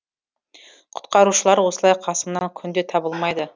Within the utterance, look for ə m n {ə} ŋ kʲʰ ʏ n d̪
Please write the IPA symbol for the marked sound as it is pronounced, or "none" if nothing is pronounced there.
ɑ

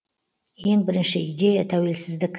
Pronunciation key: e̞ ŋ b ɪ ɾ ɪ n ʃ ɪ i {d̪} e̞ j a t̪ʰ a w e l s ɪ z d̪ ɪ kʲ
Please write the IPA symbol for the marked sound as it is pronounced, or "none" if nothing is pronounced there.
d̪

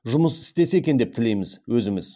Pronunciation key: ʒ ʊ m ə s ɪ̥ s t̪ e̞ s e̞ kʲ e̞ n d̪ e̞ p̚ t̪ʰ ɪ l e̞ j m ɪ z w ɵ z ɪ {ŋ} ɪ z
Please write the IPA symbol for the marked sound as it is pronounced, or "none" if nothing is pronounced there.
m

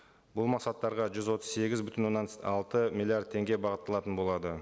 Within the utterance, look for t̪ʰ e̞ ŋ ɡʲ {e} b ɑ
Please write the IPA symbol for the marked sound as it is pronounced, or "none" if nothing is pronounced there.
e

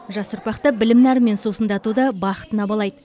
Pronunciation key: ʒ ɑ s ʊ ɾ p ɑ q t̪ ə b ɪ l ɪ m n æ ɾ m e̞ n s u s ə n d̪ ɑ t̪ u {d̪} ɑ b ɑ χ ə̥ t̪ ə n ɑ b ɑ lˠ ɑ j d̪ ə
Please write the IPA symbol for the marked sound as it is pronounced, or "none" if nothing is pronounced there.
d̪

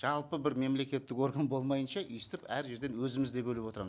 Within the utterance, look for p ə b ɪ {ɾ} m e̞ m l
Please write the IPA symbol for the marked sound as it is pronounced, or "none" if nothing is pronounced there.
ɾ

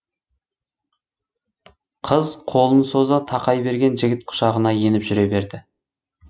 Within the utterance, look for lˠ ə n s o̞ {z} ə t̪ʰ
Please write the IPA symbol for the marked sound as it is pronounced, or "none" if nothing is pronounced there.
z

